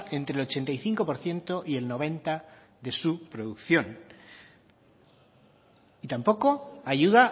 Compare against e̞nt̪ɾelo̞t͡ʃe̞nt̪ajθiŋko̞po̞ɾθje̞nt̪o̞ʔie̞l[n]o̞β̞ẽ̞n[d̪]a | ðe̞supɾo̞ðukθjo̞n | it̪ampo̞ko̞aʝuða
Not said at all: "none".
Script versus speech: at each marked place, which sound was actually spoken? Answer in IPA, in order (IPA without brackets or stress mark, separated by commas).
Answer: n, t̪